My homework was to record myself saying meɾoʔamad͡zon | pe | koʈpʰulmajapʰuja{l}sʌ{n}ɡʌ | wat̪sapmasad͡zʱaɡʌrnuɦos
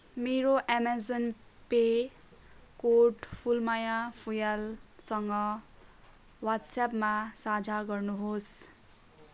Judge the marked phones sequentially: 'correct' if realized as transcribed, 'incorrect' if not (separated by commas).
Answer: correct, incorrect